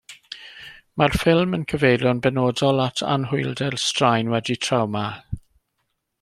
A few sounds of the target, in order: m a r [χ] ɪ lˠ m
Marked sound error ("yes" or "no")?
yes